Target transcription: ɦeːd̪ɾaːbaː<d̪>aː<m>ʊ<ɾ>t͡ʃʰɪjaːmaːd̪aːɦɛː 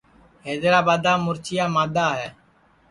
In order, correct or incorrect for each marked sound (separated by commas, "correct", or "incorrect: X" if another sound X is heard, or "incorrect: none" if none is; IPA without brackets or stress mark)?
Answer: correct, correct, correct